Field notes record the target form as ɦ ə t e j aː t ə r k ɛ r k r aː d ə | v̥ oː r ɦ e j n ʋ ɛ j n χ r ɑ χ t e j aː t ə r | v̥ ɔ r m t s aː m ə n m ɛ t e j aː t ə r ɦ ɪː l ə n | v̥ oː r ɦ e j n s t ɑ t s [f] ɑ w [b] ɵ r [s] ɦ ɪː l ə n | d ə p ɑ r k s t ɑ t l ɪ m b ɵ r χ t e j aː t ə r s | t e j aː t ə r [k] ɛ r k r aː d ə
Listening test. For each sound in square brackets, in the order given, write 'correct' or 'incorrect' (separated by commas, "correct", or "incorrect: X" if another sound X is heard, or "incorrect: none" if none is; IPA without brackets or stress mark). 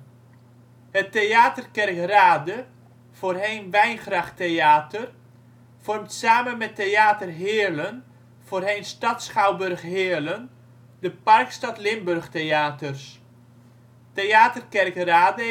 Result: incorrect: χ, correct, incorrect: χ, correct